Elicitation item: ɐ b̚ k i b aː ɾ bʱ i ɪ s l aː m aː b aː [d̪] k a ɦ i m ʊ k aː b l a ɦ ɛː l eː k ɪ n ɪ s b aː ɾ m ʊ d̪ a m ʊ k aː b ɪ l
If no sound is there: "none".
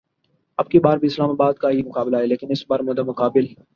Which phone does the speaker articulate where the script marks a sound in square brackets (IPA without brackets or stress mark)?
d̪